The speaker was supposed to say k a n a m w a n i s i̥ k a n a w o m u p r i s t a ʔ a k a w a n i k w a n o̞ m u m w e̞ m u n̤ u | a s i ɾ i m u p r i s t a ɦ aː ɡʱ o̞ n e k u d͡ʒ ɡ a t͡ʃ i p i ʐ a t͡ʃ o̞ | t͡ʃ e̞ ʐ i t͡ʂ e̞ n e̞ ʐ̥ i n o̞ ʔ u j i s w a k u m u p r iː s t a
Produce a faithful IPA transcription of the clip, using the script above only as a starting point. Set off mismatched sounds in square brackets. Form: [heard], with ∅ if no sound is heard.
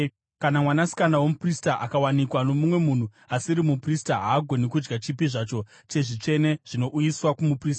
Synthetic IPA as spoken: k a n a m w a n [a] s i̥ k a n a w o m u p r i s t a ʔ a k a w a n i k w a n o̞ m u m w e̞ m u n̤ u | a s i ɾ i m u p r i s t a ɦ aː ɡʱ o̞ n e k u d͡ʒ ɡ a t͡ʃ i p i ʐ a t͡ʃ o̞ | t͡ʃ e̞ ʐ i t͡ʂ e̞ n e̞ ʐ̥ i n o̞ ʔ u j i s w a k u m u p r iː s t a